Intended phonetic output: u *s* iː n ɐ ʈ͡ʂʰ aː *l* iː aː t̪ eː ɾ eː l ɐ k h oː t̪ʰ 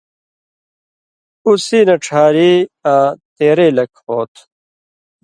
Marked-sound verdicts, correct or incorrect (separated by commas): correct, incorrect